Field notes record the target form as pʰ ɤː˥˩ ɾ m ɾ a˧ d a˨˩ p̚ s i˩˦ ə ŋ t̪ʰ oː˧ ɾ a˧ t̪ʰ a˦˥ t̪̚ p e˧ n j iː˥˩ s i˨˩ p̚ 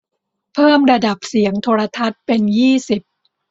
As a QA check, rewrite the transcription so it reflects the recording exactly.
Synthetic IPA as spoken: pʰ ɤː˥˩ m ɾ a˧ d a˨˩ p̚ s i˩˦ ə ŋ t̪ʰ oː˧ ɾ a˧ t̪ʰ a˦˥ t̪̚ p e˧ n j iː˥˩ s i˨˩ p̚